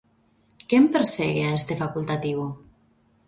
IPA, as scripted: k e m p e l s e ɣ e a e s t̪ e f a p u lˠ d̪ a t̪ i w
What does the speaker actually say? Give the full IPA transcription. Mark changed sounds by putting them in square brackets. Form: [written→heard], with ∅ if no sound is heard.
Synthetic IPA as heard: k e m p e [l→ɾ] s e ɣ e a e s t̪ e f a [p→k] u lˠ [d̪→t̪] a t̪ i w